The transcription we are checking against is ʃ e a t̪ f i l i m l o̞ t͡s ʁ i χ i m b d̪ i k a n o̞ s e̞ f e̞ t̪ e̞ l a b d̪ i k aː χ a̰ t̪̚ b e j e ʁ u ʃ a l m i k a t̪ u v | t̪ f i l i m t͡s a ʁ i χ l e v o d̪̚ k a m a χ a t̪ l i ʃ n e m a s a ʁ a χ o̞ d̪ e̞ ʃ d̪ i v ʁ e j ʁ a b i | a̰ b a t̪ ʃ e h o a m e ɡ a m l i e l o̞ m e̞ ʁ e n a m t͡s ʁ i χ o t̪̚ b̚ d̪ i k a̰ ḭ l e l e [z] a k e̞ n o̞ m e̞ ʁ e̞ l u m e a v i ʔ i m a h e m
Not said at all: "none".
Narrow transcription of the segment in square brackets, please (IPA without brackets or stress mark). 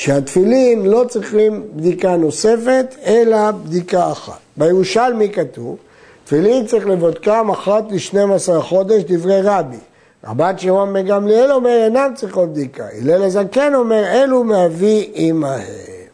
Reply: z